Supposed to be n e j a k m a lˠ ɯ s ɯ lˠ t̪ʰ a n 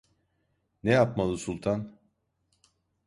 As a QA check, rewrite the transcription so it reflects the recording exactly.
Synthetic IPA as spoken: n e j a p m a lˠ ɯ s u lˠ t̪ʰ a n

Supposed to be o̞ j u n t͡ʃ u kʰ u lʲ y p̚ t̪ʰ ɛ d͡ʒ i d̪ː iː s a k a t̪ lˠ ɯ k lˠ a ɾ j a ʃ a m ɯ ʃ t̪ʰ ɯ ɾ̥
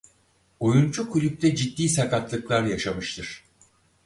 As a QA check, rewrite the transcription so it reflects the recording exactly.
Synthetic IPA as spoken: o̞ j u n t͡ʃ u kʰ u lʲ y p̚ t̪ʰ ɛ d͡ʒ i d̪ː iː s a k a t̪ lˠ ɯ k lˠ a ɾ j a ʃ a m ɯ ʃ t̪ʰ ɯ ɾ̥

